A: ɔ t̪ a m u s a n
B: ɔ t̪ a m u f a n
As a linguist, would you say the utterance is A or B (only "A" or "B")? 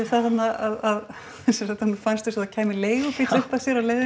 B